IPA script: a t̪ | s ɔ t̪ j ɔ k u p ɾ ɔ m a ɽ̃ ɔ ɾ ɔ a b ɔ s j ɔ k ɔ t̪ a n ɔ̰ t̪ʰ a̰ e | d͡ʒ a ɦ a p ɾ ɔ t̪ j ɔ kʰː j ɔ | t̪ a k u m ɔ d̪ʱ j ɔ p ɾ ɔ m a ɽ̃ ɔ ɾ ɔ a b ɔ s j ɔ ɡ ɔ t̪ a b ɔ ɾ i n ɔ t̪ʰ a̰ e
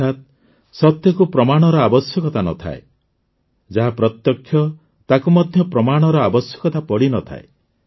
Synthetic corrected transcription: a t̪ | s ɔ t̪ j ɔ k u p ɾ ɔ m a ɽ̃ ɔ ɾ ɔ a b ɔ s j ɔ k ɔ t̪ a n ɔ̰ t̪ʰ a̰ e | d͡ʒ a ɦ a p ɾ ɔ t̪ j ɔ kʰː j ɔ | t̪ a k u m ɔ d̪ʱ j ɔ p ɾ ɔ m a ɽ̃ ɔ ɾ ɔ a b ɔ s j ɔ k ɔ t̪ a p ɔ ɽ i n ɔ t̪ʰ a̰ e